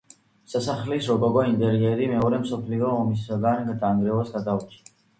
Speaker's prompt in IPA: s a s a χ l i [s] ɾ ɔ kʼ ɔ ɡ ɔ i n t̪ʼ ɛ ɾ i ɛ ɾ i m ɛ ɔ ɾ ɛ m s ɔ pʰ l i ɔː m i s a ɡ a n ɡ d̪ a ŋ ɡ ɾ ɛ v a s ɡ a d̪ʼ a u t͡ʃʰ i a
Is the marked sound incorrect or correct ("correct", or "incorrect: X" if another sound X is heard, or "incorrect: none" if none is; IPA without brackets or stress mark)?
correct